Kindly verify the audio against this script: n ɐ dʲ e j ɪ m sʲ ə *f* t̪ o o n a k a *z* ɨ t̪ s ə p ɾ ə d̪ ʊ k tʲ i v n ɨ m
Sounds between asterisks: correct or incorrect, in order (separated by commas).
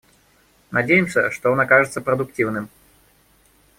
incorrect, incorrect